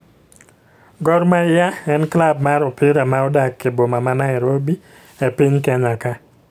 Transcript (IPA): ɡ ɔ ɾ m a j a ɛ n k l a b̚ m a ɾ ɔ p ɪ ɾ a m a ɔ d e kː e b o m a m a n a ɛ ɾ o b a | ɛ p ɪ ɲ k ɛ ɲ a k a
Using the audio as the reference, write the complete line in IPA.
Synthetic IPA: ɡ ɔ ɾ m a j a ɛ n k l a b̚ m a ɾ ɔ p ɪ ɾ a m a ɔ d a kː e b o m a m a n a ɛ ɾ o b i | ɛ p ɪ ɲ k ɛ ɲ a k a

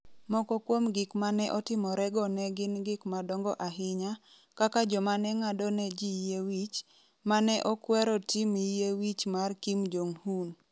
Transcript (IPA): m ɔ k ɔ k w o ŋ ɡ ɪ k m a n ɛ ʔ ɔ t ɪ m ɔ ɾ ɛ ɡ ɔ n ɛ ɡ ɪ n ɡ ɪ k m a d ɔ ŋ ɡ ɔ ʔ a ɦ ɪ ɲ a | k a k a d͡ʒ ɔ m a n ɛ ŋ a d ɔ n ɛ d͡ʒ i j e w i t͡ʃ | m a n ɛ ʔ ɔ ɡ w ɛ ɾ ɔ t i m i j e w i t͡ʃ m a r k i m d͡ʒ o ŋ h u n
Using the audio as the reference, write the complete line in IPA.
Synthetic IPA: m ɔ k ɔ k w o m ɡ ɪ k m a n ɛ ʔ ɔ t ɪ m ɔ ɾ ɛ ɡ ɔ n ɛ ɡ ɪ n ɡ ɪ k m a d ɔ ŋ ɡ ɔ ʔ a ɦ ɪ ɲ a | k a k a d͡ʒ ɔ m a n ɛ ŋ a d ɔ n ɛ d͡ʒ i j e w i t͡ʃ | m a n ɛ ʔ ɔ k w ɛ ɾ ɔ t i m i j e w i t͡ʃ m a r k i m d͡ʒ o ŋ h u n

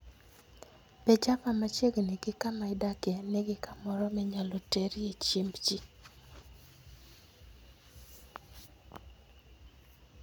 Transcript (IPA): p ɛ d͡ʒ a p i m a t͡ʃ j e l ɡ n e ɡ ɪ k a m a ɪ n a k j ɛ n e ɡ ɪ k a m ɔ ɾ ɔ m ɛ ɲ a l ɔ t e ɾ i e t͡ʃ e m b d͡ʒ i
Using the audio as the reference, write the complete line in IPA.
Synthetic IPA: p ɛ d͡ʒ a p a m a t͡ʃ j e ɡ n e ɡ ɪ k a m a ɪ d a k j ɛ n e ɡ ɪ k a m ɔ ɾ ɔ m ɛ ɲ a l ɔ t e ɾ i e t͡ʃ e m b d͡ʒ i

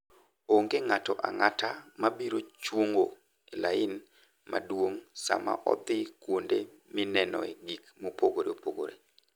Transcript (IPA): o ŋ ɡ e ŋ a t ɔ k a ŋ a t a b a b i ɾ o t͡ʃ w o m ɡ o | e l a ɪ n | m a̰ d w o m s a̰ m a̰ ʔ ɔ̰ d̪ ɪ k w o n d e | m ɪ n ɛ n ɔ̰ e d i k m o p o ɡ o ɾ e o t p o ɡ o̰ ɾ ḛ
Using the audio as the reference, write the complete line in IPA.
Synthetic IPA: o ŋ ɡ e ŋ a t ɔ ʔ a ŋ a t a m a b i ɾ o t͡ʃ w o ŋ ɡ o | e l a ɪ n | m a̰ d w o ŋ s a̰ m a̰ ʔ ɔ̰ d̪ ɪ k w o n d e | m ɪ n ɛ n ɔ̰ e ɡ i k m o p o ɡ o ɾ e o p o ɡ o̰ ɾ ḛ

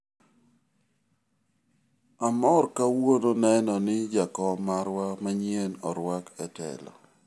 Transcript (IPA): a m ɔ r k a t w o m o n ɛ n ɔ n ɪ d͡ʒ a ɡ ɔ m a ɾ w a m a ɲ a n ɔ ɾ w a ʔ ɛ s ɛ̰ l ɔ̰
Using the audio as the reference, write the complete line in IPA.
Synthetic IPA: a m ɔ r k a w o n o n ɛ n ɔ n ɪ d͡ʒ a k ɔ m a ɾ w a m a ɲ e n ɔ ɾ w a k ɛ t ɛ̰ l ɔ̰

